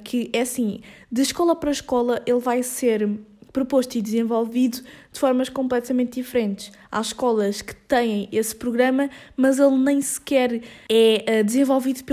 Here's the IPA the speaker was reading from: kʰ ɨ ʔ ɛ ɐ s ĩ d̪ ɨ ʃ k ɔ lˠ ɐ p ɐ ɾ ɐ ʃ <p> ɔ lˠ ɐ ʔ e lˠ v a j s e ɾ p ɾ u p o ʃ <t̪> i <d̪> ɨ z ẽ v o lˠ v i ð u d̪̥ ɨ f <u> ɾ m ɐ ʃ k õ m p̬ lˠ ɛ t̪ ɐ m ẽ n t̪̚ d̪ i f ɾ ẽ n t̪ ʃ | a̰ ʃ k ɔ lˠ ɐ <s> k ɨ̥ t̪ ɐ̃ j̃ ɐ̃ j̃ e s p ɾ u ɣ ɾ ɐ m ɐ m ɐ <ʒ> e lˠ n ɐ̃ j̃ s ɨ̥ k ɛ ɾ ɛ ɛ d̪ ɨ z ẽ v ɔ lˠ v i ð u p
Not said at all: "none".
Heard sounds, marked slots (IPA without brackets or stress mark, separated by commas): k, t̪, d̪, ɔ, ʃ, z